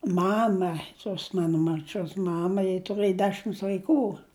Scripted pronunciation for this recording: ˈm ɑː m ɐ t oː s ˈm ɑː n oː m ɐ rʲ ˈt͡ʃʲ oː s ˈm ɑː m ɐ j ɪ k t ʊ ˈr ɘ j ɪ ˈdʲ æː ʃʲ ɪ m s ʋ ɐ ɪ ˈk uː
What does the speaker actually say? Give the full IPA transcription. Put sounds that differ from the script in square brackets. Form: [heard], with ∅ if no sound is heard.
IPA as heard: ˈm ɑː m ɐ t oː s ˈm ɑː n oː m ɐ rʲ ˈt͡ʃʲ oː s ˈm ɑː m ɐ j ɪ [∅] t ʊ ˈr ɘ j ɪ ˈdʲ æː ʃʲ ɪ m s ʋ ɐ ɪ ˈk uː